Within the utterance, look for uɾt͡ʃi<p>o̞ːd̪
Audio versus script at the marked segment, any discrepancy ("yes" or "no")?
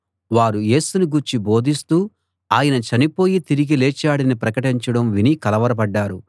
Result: yes